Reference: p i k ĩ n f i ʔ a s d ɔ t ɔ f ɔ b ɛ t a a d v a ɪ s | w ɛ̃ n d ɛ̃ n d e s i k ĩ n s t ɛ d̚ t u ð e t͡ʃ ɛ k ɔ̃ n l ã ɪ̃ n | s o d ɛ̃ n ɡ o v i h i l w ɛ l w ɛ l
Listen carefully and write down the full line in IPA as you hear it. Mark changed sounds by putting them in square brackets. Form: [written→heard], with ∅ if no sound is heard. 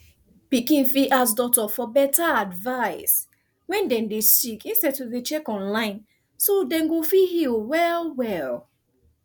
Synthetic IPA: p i k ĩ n f i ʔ a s d ɔ t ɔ f ɔ b ɛ t a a d v a ɪ s | w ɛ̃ n d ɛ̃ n d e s i k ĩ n s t ɛ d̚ t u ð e t͡ʃ ɛ k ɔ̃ n l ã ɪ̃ n | s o d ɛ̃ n ɡ o [v→f] i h i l w ɛ l w ɛ l